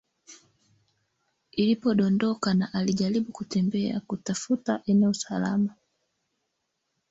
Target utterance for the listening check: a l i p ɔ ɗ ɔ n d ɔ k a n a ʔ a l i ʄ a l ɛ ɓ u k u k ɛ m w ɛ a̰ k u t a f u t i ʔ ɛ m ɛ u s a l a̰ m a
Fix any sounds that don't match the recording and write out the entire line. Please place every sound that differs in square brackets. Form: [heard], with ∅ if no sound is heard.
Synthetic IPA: [i] l i p ɔ ɗ ɔ n d ɔ k a n a ʔ a l i ʄ a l [i] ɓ u k u [t] ɛ m [b] ɛ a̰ k u t a f u t [a] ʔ ɛ [n] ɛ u s a l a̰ m a